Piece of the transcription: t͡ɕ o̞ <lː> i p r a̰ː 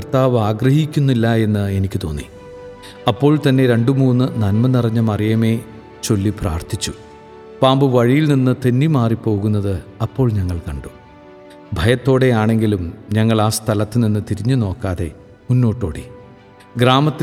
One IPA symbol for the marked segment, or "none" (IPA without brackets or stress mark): lː